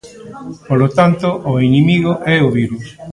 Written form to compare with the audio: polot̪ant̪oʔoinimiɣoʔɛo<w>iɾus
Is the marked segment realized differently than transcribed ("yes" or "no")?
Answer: yes